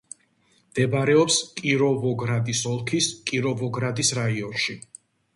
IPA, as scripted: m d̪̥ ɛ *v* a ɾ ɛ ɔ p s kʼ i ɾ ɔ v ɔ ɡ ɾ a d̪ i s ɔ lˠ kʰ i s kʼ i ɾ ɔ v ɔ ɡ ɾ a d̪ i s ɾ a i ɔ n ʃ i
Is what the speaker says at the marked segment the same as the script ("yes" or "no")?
no